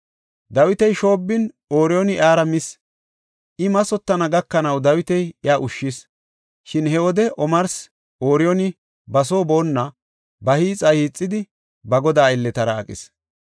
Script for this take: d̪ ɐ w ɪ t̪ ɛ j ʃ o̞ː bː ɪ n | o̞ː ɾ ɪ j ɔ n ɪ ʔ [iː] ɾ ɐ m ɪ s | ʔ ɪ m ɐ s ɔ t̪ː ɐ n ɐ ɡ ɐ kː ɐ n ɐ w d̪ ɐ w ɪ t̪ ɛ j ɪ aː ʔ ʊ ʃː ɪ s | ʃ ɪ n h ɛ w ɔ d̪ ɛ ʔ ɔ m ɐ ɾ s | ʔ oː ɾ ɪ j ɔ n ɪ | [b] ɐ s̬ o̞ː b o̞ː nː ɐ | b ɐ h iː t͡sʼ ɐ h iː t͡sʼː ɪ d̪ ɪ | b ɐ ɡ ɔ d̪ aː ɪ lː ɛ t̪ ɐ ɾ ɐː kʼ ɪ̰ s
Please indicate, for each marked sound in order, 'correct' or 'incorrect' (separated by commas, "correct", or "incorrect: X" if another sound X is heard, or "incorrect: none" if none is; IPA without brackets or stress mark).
incorrect: aː, correct